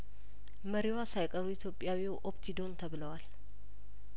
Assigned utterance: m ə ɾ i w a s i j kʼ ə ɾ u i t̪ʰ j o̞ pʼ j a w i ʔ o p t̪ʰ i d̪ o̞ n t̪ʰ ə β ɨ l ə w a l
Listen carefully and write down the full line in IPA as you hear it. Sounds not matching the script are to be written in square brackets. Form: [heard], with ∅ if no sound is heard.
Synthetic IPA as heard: m ə ɾ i w a s [a] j kʼ ə ɾ u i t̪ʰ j o̞ pʼ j a w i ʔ o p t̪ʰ i d̪ o̞ n t̪ʰ ə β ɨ l ə w a l